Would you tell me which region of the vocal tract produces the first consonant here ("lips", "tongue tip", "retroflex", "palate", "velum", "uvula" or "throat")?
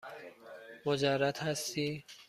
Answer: lips